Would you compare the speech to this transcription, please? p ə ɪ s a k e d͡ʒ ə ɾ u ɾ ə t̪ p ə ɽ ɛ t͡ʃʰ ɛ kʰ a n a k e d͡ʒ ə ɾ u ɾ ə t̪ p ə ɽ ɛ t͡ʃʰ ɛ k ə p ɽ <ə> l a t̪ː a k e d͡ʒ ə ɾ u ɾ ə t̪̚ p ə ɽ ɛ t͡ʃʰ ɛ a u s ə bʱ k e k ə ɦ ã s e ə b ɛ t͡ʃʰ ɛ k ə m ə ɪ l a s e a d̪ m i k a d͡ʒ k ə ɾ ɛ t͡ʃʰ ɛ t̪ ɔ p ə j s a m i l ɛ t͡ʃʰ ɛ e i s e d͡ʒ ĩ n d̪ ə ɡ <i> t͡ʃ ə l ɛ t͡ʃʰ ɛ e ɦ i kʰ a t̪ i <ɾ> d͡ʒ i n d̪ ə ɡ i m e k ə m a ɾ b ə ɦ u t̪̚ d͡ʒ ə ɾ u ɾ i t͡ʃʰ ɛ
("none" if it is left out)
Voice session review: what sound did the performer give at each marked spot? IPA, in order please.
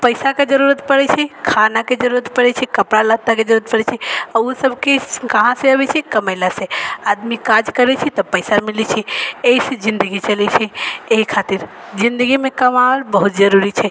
a, i, ɾ

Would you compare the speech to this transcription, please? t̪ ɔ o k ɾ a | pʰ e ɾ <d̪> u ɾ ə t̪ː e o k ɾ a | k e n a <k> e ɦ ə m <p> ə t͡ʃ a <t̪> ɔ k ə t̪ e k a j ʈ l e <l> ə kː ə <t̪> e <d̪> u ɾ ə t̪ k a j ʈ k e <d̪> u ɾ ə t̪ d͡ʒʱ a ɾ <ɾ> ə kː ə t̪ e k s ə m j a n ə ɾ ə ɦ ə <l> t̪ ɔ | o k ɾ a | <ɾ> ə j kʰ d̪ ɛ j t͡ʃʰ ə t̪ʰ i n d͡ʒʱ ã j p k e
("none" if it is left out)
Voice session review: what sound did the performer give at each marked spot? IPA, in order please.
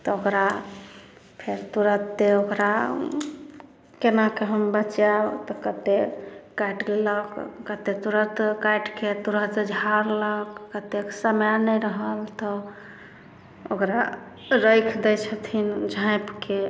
t̪, k, b, t̪, l, t̪, t̪, t̪, l, l, ɾ

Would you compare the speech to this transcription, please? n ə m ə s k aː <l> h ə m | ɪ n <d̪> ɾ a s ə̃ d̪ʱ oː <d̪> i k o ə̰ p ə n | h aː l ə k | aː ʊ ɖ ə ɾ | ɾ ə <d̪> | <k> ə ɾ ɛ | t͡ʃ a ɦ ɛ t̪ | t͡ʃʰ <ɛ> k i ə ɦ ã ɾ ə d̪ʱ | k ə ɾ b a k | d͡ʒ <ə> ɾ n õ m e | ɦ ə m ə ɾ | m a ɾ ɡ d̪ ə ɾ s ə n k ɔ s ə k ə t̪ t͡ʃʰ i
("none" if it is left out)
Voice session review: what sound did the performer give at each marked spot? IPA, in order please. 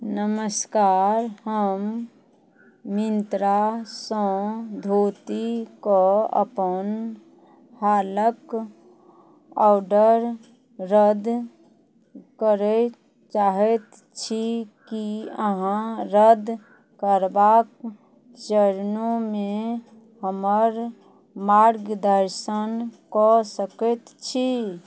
ɾ, t̪, t̪, d̪, k, i, ə

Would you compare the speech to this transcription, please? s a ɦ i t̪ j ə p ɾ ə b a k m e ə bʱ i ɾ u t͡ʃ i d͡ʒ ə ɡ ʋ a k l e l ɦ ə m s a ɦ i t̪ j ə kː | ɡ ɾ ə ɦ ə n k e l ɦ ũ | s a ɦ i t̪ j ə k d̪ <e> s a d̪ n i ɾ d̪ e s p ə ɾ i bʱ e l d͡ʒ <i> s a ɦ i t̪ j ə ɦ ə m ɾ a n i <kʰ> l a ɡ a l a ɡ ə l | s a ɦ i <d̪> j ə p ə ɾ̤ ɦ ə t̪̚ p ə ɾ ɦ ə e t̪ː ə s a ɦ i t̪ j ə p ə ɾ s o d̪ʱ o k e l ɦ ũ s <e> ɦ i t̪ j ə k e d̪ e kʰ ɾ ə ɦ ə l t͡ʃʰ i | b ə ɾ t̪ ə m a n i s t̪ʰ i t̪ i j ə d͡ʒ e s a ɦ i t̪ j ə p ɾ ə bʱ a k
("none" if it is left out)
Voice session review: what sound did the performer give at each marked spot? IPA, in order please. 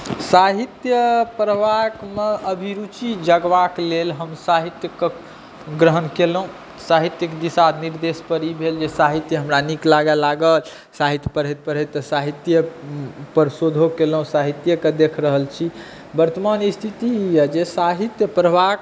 i, e, k, t̪, a

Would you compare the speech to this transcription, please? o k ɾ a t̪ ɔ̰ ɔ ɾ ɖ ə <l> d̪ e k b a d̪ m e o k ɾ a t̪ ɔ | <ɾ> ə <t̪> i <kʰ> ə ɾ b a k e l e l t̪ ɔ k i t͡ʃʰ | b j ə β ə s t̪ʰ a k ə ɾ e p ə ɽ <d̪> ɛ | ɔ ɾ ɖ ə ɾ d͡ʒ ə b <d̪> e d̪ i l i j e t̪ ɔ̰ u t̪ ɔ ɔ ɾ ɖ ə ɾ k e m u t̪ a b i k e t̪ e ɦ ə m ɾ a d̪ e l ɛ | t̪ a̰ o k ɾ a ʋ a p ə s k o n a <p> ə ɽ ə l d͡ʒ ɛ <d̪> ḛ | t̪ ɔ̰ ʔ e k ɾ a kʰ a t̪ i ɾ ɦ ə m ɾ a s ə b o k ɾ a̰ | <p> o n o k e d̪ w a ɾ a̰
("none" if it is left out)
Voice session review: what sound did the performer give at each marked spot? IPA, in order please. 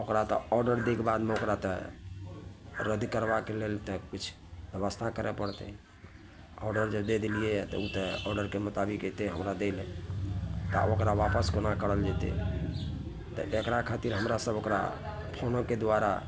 ɾ, ɾ, d̪, k, t̪, d̪, k, t̪, pʰ

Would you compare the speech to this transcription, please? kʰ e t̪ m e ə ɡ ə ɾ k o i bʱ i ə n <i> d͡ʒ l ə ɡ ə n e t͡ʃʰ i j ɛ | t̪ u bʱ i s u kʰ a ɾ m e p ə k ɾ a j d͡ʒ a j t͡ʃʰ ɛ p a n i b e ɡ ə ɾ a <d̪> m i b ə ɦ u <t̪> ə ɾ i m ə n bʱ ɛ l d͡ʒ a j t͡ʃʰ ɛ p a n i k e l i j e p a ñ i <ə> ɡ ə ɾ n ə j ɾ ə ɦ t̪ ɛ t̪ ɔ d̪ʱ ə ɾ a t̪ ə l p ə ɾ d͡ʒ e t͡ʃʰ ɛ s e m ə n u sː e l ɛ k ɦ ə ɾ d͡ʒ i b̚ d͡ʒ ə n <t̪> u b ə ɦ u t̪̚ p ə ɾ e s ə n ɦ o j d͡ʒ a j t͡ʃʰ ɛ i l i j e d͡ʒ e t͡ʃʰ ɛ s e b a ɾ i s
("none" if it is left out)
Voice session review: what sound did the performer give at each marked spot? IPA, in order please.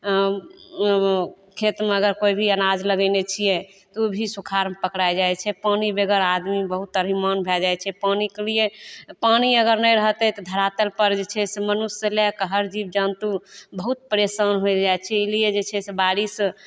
a, d̪, t̪, ə, t̪

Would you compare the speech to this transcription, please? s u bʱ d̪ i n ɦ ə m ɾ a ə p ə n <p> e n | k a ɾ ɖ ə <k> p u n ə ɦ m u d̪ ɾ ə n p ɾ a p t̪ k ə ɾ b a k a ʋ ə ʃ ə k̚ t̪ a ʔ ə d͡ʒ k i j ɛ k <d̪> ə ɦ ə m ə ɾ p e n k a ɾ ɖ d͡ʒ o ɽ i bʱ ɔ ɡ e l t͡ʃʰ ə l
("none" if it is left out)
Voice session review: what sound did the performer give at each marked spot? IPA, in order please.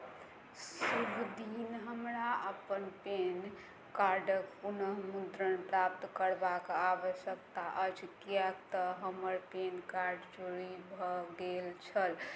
p, k, t̪

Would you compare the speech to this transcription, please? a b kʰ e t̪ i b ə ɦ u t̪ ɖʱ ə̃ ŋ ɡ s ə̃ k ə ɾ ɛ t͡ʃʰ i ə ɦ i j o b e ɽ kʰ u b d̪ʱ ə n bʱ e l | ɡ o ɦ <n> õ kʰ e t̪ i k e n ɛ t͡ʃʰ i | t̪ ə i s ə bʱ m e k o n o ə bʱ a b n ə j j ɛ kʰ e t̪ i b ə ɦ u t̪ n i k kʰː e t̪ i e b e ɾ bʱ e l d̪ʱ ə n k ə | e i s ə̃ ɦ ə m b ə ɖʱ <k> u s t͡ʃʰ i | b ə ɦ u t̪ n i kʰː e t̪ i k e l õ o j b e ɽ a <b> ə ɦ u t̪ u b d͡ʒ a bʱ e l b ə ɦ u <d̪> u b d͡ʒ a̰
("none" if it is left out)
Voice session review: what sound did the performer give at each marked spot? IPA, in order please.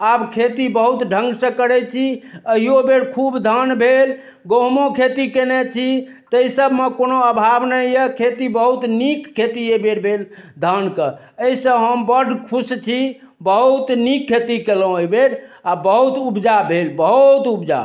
m, kʰ, b, t̪

